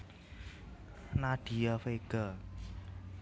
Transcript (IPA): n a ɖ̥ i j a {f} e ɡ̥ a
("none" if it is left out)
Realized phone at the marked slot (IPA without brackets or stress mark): f